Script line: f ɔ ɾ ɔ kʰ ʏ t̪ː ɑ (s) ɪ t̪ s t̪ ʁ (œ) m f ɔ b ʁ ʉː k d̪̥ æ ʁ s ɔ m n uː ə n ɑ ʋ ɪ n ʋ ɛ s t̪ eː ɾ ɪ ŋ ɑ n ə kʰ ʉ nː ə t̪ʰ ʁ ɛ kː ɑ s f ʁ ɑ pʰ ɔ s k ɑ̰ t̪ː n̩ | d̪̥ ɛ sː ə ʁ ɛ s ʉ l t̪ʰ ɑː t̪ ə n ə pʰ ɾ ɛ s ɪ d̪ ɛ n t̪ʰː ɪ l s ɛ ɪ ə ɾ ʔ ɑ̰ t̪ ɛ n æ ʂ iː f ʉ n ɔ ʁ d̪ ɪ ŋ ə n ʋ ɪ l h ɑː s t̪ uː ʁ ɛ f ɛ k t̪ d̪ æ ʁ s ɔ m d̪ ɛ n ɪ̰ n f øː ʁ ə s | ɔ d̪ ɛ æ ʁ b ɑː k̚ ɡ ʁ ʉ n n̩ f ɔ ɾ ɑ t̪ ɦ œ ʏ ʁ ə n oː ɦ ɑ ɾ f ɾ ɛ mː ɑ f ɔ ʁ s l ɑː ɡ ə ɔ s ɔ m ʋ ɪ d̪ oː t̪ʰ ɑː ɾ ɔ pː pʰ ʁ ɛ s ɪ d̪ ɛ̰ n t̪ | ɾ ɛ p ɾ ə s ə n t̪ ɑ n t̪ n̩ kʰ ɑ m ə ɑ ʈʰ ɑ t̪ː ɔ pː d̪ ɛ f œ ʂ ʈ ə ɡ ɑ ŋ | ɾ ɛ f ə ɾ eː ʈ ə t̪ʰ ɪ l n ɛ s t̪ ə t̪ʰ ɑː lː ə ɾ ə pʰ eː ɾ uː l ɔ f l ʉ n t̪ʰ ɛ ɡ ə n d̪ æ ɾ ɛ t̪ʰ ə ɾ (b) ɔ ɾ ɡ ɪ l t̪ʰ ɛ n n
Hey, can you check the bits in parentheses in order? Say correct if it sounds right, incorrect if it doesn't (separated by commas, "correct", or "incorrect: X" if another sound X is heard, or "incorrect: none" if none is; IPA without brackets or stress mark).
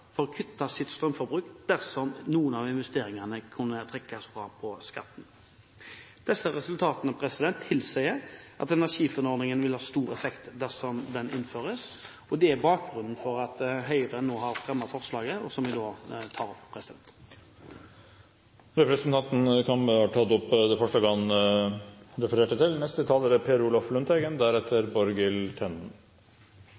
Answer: correct, correct, correct